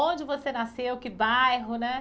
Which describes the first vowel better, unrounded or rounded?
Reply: rounded